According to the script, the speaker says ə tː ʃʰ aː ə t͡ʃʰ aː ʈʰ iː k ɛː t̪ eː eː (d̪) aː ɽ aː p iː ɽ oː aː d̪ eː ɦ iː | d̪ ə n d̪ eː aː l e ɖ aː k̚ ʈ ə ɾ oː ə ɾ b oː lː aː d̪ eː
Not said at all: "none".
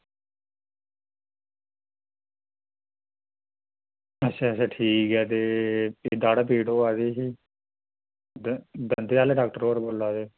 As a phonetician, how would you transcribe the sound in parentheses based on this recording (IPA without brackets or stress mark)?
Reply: d̪